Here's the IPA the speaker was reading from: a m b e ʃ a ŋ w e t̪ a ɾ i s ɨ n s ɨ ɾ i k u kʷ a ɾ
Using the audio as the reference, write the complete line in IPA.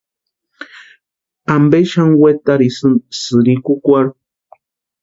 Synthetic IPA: a m b e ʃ a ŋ w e t̪ a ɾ i s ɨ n s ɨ ɾ i k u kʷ a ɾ